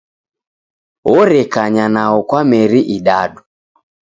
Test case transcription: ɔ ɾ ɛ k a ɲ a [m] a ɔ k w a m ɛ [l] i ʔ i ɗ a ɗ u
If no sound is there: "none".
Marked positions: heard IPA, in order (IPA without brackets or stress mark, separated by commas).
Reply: n, ɾ